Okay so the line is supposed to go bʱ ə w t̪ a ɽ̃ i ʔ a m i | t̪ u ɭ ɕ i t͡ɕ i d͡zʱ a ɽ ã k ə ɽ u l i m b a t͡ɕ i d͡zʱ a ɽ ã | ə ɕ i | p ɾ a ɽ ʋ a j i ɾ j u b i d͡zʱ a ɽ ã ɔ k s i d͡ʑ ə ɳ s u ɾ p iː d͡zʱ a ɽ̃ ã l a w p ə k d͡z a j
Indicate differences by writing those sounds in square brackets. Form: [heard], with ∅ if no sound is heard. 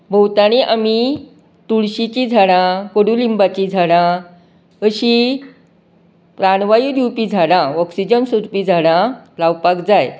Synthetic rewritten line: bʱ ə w t̪ a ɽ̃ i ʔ a m i | t̪ u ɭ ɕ i t͡ɕ i d͡zʱ a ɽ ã k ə ɽ u l i m b a t͡ɕ i d͡zʱ a ɽ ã | ə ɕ i | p ɾ a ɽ ʋ a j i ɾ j u [p] i d͡zʱ a ɽ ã ɔ k s i d͡ʑ ə [n] s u ɾ p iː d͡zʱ a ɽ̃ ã l a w p [a] k d͡z a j